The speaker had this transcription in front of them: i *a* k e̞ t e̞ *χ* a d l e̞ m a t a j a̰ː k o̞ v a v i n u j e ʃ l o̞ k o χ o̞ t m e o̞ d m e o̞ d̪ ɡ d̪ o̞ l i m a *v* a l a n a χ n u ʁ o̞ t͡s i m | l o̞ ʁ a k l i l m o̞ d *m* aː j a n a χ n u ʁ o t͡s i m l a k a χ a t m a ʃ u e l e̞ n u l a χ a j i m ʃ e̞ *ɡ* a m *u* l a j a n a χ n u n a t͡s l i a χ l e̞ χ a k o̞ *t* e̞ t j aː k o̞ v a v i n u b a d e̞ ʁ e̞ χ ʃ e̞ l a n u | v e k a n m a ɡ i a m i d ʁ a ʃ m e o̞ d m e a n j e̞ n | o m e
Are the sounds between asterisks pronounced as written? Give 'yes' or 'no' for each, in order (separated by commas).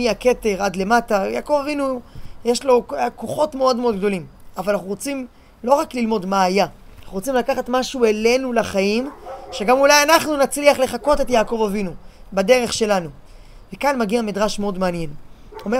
yes, no, yes, yes, yes, yes, yes